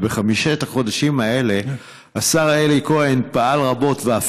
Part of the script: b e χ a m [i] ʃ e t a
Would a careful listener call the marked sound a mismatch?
no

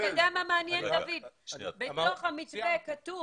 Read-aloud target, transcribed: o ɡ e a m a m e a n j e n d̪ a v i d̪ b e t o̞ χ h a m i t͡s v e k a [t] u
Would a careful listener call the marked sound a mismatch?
no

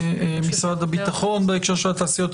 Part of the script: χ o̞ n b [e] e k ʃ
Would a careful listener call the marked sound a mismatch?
no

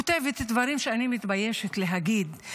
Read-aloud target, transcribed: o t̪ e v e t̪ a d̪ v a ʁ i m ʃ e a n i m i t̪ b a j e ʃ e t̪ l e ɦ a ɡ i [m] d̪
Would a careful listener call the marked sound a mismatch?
yes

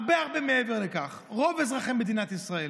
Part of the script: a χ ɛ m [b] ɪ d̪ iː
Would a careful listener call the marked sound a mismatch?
no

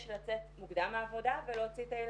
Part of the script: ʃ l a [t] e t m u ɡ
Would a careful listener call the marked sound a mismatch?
yes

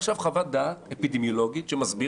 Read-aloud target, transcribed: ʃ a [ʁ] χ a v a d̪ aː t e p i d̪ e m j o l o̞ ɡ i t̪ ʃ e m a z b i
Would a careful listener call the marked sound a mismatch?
yes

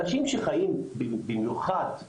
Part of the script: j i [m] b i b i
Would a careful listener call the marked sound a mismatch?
no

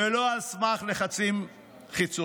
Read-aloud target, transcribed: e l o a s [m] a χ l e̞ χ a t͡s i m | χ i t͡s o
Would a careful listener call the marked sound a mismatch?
no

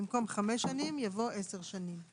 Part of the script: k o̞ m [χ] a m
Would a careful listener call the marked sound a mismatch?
no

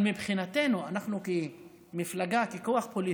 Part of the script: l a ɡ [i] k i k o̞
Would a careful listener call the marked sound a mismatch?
yes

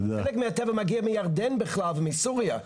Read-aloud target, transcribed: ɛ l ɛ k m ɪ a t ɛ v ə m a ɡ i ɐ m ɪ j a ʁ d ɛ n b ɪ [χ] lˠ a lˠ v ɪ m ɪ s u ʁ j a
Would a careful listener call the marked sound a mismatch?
no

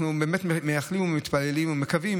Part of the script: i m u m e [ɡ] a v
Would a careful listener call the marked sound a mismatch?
yes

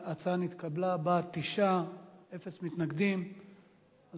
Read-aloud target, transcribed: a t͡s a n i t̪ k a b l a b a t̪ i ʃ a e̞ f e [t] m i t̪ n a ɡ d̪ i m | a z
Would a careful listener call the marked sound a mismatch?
yes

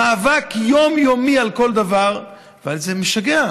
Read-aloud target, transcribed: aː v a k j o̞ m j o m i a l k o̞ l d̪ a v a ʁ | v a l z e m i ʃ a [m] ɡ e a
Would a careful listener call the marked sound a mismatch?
yes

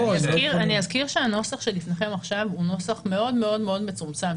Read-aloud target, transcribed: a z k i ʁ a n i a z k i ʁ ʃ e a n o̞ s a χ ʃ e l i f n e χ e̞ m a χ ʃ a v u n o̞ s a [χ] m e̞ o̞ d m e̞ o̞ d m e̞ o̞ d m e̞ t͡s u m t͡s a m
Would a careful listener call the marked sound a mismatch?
no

